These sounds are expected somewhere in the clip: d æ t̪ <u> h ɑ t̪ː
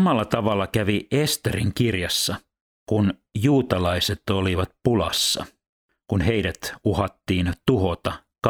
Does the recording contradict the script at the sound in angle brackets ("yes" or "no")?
no